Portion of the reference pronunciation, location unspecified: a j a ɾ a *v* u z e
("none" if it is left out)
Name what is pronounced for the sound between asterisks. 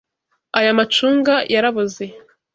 β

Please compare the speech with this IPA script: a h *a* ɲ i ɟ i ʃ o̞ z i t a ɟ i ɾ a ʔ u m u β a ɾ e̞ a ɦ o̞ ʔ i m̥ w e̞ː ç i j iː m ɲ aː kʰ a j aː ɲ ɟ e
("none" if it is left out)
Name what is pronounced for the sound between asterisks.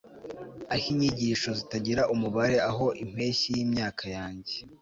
i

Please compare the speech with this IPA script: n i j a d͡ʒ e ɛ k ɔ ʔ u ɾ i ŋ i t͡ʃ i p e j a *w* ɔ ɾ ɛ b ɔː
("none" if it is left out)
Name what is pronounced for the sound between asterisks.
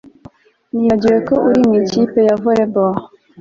v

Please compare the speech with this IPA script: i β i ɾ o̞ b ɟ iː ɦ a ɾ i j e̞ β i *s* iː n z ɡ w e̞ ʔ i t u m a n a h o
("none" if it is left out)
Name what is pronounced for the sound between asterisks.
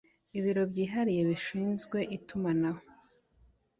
ʃ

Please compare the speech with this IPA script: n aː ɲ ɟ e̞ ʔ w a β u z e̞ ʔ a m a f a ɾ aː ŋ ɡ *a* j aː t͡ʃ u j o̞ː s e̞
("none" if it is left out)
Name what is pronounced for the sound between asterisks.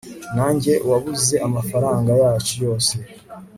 a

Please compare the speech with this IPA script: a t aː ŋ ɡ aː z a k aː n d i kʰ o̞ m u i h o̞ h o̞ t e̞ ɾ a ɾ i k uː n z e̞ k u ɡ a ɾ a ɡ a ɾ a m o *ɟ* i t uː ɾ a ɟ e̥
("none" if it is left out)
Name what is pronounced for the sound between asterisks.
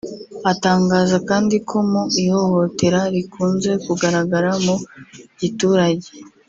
ɟ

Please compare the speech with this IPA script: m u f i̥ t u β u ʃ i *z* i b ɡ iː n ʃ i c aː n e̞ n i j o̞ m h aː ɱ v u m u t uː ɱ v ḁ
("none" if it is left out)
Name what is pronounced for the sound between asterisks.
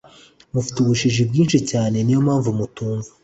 ʒ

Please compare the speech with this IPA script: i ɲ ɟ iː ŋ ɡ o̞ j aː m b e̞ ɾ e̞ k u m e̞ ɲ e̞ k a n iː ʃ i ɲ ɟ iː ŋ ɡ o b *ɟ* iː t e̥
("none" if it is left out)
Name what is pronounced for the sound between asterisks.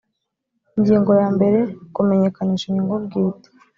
ɡ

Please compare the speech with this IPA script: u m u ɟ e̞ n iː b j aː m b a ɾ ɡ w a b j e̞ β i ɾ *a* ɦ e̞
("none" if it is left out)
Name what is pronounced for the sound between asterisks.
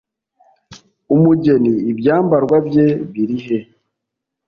i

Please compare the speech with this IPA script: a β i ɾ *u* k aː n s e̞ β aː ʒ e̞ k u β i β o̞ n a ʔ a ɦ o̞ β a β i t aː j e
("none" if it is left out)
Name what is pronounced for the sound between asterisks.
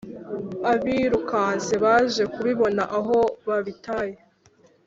u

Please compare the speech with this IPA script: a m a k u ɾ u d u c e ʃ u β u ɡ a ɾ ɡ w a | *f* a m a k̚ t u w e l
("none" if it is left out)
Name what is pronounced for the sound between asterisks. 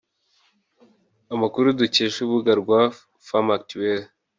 f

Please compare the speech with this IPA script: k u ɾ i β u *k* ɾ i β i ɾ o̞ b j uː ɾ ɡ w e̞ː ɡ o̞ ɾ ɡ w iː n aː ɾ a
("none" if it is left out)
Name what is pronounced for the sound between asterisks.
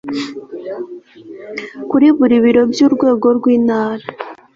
none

